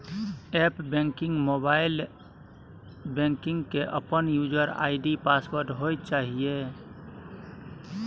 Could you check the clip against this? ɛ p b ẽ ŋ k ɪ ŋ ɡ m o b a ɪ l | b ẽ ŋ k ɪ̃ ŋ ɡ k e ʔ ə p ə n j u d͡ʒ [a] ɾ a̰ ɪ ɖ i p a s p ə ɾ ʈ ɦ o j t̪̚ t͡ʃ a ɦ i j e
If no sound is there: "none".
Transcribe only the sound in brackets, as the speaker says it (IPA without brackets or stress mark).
ə